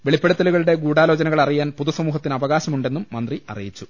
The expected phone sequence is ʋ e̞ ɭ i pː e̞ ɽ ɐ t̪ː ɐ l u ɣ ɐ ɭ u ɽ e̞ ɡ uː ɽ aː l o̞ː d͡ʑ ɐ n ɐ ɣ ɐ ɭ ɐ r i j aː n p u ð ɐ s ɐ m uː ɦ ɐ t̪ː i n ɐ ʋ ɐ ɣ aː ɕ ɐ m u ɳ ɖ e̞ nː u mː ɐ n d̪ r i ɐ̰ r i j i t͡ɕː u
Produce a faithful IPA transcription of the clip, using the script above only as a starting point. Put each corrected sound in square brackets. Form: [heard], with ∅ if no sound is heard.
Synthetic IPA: ʋ e̞ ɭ i pː e̞ ɽ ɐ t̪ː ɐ l u ɣ ɐ ɭ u ɽ e̞ ɡ uː ɽ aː l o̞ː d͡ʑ ɐ n ɐ ɣ ɐ ɭ ɐ r i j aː n p u ð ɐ s ɐ m uː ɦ ɐ t̪ː i n ɐ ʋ ɐ ɣ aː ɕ ɐ m u ɳ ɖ e̞ nː u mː ɐ n d̪ r i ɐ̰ r i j i t͡ɕː u